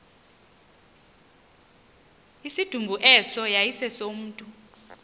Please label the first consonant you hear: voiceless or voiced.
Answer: voiceless